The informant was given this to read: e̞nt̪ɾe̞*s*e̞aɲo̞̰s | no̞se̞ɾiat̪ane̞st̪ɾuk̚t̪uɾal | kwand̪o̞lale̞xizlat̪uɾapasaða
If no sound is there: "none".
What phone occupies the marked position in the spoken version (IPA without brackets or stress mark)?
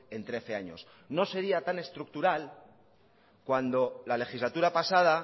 θ